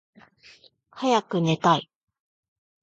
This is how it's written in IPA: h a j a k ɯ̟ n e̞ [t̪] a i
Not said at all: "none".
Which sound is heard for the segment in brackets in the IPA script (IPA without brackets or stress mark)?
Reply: t̪